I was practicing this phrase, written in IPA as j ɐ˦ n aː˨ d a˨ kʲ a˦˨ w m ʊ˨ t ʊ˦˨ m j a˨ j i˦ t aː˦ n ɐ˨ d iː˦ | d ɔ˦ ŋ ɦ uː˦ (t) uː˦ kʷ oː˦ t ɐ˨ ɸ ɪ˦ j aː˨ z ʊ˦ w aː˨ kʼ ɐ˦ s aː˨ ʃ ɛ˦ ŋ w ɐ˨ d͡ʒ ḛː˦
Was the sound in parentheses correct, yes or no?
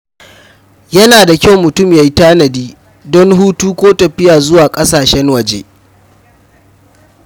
yes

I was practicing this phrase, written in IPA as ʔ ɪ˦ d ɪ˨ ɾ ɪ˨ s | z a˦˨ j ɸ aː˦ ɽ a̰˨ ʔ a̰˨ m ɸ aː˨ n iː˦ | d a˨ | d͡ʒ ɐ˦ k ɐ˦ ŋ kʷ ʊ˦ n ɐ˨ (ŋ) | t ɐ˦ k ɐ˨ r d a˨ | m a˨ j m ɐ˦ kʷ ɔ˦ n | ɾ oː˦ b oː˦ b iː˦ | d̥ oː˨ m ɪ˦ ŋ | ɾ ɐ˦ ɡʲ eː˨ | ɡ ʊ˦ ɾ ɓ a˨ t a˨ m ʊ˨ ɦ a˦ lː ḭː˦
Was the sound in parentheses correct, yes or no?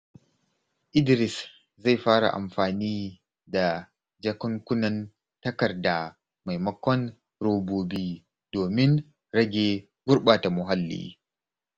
no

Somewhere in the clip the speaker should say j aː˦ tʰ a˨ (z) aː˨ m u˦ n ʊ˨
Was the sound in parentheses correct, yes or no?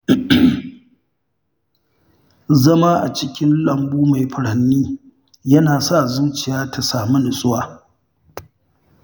no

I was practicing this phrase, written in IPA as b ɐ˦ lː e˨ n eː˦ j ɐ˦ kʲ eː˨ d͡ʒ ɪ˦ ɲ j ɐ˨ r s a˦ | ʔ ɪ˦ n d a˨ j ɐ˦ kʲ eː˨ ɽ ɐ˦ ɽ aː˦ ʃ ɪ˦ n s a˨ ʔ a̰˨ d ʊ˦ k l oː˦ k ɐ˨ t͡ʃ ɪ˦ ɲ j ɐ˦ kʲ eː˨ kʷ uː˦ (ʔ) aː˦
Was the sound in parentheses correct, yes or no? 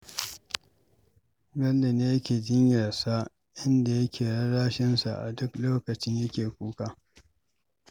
no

